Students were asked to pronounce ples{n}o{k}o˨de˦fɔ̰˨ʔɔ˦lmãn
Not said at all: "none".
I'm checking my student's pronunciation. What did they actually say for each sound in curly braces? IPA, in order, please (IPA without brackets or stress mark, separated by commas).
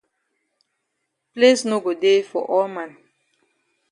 n, ɡ